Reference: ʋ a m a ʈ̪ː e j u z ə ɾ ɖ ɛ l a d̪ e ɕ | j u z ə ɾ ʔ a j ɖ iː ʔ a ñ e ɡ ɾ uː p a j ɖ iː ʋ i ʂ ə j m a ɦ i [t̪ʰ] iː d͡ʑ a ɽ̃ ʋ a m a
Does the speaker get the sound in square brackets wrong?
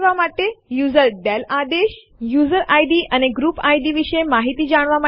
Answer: yes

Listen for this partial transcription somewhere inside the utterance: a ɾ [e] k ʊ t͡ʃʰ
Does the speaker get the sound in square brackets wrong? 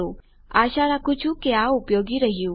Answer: yes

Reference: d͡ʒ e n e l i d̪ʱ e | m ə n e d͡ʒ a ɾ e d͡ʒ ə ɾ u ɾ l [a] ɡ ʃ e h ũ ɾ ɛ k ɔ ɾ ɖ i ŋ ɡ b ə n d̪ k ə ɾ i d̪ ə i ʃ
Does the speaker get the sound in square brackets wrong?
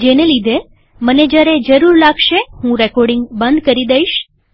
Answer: no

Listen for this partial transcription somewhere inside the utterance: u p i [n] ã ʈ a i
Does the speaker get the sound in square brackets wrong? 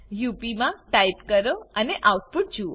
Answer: yes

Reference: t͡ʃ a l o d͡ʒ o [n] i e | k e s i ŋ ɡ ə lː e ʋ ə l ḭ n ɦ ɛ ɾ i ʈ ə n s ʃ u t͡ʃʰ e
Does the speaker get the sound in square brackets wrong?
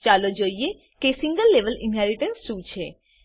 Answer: yes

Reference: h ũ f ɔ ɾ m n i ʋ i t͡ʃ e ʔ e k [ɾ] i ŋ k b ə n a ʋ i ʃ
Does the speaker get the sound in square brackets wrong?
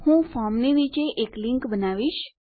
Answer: yes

